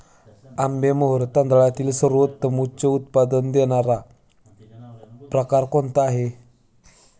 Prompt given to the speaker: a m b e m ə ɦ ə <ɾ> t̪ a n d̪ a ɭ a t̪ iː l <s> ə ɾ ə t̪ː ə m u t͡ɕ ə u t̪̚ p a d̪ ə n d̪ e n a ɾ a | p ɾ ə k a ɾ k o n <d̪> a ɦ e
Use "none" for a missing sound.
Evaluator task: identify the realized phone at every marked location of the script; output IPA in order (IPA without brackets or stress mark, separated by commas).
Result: ɾ, s, t̪